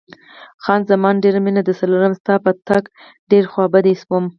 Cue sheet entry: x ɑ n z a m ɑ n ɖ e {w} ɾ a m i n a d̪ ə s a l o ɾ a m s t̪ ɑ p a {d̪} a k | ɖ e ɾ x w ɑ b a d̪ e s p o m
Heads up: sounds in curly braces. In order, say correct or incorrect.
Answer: incorrect: none, incorrect: t̪

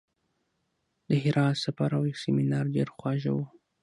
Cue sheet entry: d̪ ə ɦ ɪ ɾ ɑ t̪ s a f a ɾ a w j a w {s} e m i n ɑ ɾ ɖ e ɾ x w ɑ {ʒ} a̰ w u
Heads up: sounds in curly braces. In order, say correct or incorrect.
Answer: correct, correct

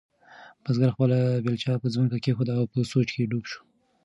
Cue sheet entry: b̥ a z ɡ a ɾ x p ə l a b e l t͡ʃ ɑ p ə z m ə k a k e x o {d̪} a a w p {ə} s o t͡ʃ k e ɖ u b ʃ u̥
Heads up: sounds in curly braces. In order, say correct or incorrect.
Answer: correct, correct

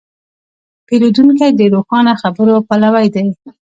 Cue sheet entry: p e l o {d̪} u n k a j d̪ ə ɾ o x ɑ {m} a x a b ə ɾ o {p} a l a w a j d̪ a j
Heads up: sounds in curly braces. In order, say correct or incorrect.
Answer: correct, incorrect: n, correct

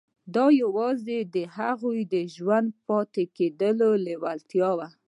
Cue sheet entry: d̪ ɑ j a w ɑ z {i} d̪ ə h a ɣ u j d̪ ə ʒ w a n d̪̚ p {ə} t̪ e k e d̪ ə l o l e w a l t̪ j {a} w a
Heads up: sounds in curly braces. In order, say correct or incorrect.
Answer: incorrect: e, incorrect: ɑ, incorrect: ɑ

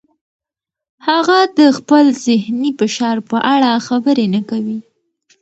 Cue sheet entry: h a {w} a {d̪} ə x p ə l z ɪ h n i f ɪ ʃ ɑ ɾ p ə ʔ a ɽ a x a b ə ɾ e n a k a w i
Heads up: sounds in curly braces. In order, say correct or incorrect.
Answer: incorrect: ɣ, correct

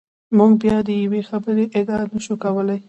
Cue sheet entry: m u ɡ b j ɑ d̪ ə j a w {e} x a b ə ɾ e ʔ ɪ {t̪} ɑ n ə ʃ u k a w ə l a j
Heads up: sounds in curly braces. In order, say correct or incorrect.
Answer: correct, incorrect: d̪

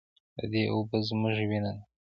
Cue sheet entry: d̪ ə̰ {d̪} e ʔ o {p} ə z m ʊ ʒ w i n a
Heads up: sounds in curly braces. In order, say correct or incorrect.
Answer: correct, incorrect: b

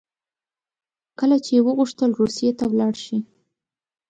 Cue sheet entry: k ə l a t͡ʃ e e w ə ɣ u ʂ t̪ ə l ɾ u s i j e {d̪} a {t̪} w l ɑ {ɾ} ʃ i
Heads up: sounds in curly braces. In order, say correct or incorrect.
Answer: incorrect: t̪, incorrect: none, incorrect: ɽ

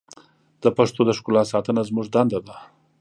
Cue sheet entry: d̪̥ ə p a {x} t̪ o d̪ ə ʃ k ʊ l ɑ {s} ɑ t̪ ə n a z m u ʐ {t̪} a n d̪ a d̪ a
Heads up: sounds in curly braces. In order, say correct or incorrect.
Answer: incorrect: ʂ, correct, incorrect: d̪

